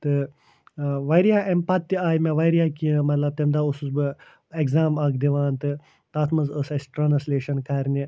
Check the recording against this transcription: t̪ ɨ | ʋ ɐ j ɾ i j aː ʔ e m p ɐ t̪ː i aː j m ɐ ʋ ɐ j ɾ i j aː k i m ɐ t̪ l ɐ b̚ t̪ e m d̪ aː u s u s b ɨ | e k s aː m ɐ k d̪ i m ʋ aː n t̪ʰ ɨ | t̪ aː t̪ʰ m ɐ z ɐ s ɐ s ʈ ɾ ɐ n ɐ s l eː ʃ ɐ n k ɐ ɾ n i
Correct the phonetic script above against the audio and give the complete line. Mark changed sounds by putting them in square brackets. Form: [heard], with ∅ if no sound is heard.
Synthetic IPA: t̪ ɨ | ʋ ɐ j ɾ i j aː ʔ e m p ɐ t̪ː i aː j m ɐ ʋ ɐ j ɾ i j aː k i m ɐ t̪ l ɐ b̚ t̪ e m d̪ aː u s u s b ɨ | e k [z] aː m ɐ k d̪ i [∅] ʋ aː n [t̪] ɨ | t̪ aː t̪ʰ m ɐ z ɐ s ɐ s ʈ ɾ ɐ n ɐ s l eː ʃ ɐ n k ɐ ɾ n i